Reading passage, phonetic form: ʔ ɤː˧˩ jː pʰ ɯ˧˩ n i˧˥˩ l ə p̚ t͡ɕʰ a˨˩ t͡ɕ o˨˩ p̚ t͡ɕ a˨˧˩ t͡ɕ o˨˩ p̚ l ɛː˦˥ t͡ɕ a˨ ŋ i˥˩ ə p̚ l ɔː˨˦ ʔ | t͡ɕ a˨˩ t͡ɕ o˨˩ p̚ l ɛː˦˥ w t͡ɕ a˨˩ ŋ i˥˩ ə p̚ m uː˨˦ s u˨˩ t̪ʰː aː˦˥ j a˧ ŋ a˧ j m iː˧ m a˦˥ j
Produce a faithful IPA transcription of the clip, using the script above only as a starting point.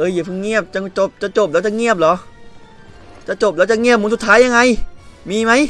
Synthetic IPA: ʔ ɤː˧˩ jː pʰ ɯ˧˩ ŋ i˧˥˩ ə p̚ t͡ɕ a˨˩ t͡ɕ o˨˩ p̚ t͡ɕ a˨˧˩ t͡ɕ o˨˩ p̚ l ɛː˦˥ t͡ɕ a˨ ŋ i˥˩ ə p̚ l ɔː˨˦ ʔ | t͡ɕ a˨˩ t͡ɕ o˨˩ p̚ l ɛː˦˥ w t͡ɕ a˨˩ ŋ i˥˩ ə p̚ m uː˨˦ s u˨˩ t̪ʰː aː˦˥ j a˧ ŋ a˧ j m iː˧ m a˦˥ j